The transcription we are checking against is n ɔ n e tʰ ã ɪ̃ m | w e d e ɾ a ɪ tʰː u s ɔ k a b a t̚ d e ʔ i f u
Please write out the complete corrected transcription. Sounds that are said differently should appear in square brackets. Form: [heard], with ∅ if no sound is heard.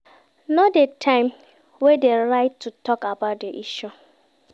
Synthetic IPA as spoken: n ɔ [d] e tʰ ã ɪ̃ m | w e d e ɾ a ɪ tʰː u [t] ɔ k a b a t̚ d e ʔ i [ʃ] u